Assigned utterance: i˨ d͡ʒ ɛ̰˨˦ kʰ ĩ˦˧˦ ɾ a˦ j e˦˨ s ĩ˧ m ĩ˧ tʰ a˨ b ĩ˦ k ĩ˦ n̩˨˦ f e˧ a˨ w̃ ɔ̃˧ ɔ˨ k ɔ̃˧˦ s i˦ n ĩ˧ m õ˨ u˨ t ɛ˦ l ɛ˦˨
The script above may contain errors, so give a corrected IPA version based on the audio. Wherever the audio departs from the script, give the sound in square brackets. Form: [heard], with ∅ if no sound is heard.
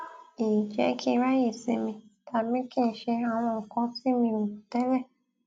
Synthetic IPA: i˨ d͡ʒ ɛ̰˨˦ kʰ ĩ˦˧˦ ɾ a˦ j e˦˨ s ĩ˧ m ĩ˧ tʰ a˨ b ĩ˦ k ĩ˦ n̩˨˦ [ʃ] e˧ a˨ w̃ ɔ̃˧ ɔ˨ k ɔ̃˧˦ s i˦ [m] ĩ˧ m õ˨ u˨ t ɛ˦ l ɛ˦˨